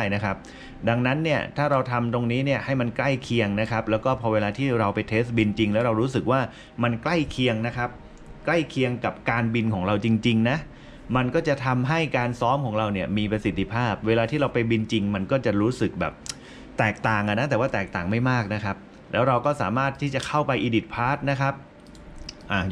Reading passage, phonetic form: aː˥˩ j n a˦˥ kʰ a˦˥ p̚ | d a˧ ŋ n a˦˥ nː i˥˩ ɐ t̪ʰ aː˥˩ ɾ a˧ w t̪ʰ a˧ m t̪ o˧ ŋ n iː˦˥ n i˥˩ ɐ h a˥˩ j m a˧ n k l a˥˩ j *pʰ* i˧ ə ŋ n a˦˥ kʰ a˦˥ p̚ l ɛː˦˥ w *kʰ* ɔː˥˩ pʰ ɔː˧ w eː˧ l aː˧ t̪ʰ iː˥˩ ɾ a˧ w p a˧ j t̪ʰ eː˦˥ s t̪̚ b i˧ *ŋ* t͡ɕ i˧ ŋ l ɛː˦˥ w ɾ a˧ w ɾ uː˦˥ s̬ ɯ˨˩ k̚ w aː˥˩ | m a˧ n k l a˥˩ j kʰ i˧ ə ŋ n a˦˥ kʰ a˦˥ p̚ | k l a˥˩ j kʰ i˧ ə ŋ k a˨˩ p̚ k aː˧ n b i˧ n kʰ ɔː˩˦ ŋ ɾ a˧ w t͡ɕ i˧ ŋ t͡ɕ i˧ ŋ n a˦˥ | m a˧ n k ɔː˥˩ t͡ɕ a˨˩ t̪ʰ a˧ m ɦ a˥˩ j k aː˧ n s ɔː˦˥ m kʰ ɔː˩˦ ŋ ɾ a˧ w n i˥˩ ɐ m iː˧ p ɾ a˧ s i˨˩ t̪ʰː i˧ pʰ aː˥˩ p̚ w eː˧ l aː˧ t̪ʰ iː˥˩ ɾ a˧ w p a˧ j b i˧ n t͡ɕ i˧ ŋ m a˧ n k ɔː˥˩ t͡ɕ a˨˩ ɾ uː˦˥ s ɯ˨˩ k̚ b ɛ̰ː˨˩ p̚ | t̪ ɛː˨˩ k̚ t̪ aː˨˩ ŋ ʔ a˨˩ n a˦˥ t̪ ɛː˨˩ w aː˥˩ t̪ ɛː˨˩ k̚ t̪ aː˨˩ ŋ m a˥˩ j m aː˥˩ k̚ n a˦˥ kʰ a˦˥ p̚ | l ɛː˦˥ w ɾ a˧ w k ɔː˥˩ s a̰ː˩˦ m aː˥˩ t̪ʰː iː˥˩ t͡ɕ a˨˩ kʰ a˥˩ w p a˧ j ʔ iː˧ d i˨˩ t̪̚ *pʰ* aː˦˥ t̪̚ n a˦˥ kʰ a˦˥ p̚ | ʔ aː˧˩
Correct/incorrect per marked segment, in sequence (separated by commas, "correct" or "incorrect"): incorrect, incorrect, incorrect, correct